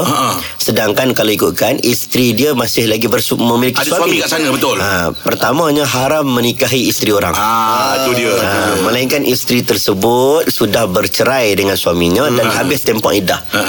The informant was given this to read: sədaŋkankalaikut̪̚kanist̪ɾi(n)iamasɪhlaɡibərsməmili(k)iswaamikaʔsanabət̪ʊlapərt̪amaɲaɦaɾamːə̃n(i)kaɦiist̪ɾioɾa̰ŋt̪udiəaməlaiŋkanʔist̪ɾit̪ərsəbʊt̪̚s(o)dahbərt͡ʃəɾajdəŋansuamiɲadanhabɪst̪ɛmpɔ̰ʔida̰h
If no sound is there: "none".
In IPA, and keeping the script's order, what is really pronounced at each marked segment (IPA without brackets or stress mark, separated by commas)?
d, k, i, u